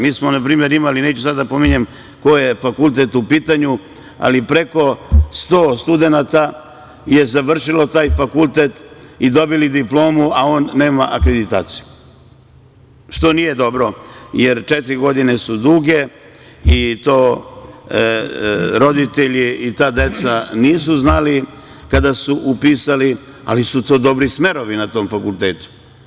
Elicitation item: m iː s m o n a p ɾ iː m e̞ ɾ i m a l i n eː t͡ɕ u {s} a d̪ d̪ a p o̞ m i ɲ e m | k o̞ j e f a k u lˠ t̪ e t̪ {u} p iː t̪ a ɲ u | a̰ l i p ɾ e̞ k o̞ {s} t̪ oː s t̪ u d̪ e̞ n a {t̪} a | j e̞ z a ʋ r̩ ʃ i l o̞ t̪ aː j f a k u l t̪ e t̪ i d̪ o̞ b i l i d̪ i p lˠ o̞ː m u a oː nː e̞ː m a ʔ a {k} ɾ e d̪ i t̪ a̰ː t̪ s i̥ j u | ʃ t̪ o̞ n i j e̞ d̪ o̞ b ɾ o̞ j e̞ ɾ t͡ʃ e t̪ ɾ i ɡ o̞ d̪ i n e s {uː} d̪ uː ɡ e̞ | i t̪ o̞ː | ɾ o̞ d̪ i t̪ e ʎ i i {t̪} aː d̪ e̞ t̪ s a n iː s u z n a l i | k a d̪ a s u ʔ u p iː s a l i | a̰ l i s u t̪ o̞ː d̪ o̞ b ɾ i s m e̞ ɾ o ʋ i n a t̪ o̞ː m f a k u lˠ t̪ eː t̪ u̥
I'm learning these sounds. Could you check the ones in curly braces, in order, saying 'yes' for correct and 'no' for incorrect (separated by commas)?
yes, yes, yes, yes, yes, no, yes